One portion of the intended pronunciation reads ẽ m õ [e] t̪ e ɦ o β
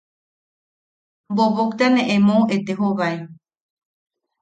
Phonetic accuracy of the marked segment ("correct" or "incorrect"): correct